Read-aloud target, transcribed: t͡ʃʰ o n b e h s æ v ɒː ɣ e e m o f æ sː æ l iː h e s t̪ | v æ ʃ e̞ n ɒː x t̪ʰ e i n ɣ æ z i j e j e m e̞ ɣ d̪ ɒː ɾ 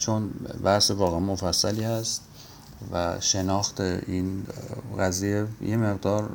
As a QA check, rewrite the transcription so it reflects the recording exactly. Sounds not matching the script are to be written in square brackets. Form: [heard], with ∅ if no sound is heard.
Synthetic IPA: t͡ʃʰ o n b [æ] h s [e] v ɒː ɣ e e m o f æ sː æ l iː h [æ] s t̪ | v æ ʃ e̞ n ɒː x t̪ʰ e i n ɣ æ z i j e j e m e̞ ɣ d̪ ɒː ɾ